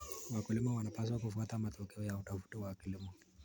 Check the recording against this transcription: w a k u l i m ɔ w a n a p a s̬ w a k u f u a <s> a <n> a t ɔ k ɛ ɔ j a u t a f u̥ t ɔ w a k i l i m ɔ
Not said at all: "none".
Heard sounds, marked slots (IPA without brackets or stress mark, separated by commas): t, m